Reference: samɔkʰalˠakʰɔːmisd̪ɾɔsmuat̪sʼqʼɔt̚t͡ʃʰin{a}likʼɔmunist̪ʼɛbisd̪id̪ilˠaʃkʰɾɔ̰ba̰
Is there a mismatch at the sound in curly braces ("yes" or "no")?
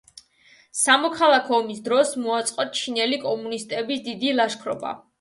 yes